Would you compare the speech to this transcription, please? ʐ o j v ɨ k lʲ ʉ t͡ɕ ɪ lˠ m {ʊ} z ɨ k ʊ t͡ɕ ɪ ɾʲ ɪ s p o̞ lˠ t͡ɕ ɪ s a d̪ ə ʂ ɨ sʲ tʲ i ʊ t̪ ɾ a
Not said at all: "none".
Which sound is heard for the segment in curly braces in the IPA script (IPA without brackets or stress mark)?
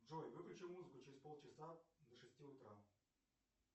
u